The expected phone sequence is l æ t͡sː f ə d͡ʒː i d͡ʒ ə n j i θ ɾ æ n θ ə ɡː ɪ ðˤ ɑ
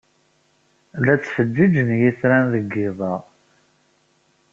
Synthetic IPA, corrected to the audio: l æ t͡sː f ə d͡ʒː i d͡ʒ ə n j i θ ɾ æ n ð ə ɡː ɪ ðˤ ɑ